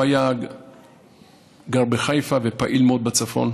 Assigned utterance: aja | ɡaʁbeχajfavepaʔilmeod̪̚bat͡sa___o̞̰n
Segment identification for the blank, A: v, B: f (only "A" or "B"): B